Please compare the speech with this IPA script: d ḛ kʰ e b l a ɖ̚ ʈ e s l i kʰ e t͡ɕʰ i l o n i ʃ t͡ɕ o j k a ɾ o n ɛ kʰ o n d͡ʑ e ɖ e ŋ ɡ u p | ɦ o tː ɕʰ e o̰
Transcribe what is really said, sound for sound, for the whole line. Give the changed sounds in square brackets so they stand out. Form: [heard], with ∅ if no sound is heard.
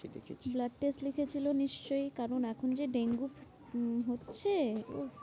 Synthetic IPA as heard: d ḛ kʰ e b l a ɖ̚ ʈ e s l i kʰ e t͡ɕʰ i l o n i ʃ t͡ɕ o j k a ɾ o n ɛ kʰ o n d͡ʑ e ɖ e ŋ ɡ u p | ɦ o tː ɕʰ e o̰